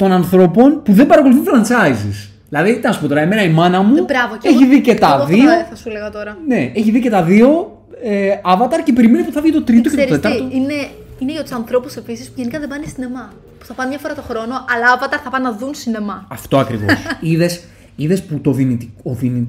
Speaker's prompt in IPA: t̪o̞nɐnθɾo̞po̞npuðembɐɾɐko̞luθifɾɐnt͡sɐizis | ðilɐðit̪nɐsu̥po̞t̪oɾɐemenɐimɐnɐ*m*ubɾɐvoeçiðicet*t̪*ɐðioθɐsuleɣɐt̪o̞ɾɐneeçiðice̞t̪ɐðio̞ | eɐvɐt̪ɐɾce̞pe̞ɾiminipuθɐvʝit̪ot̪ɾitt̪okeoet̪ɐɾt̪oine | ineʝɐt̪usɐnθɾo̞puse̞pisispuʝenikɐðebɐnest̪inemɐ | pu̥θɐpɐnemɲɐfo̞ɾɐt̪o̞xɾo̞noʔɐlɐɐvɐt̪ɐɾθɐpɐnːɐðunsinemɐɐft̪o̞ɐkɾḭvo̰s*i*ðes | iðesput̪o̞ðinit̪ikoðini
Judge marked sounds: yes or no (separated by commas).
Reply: yes, yes, yes